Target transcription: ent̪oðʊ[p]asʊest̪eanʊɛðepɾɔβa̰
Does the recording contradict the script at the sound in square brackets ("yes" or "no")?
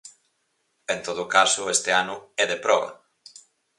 yes